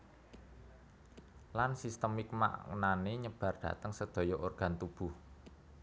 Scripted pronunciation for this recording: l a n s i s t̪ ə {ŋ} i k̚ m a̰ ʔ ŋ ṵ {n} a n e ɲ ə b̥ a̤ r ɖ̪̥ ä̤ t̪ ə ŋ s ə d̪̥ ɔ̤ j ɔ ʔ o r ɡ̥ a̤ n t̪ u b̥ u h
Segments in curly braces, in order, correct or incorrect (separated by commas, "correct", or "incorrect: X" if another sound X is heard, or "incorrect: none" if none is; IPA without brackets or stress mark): incorrect: m, correct